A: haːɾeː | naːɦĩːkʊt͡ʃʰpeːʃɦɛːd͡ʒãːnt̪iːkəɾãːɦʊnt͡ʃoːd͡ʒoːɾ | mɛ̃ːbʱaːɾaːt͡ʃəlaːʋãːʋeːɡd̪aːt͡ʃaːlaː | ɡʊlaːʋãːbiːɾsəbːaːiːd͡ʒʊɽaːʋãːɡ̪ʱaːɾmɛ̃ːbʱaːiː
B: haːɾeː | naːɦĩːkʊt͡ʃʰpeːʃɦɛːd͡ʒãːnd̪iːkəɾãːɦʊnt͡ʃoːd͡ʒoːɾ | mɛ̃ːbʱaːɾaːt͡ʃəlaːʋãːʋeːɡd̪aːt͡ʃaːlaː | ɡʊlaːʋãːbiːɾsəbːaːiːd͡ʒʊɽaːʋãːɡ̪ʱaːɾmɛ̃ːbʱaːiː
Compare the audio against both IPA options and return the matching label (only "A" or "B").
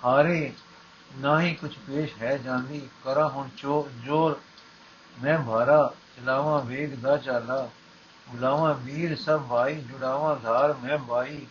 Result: B